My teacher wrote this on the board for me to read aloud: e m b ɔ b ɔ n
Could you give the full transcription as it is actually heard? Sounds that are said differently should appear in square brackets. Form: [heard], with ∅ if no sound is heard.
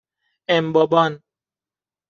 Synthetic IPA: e m b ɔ b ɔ n